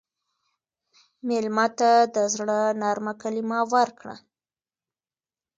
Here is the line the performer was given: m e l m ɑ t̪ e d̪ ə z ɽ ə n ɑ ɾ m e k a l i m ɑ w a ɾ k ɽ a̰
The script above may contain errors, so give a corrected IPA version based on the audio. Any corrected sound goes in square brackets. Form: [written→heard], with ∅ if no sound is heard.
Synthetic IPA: m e l m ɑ t̪ [e→a] d̪ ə z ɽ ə n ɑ ɾ m [e→a] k a l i m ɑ w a ɾ k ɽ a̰